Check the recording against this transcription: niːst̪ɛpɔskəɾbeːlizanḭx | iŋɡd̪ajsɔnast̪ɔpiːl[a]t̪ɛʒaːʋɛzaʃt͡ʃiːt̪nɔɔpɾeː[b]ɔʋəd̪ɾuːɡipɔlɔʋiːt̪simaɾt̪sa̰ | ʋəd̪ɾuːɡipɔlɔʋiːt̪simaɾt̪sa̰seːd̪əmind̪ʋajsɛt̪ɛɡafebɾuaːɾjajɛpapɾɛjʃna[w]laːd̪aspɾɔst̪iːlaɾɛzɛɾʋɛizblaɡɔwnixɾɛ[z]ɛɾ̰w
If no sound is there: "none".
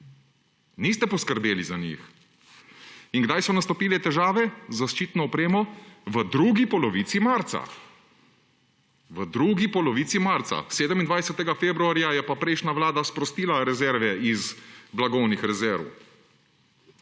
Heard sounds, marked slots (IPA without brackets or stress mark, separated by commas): ɛ, m, ʋ, z